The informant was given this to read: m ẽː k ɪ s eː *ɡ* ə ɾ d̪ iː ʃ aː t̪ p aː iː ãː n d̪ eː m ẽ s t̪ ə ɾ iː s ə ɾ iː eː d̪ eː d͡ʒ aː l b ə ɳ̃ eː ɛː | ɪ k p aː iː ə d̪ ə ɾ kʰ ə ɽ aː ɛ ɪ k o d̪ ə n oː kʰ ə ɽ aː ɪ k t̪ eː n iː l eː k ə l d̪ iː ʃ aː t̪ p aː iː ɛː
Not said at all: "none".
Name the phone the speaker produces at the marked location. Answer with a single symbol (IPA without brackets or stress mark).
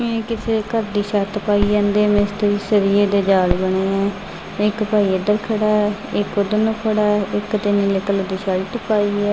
k